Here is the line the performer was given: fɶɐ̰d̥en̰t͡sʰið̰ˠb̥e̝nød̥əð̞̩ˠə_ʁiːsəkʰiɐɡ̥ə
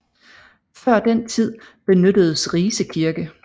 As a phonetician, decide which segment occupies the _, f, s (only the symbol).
s